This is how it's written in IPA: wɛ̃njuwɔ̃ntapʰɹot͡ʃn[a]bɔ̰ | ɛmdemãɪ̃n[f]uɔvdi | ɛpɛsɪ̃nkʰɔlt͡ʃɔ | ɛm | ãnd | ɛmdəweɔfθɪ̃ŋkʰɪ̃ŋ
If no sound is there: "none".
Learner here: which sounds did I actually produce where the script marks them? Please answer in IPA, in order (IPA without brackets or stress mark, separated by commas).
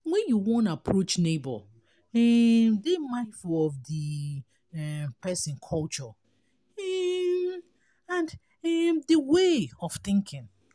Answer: e, f